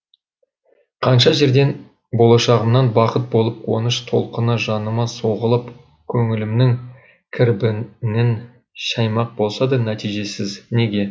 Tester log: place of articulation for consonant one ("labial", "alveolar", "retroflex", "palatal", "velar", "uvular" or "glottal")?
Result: uvular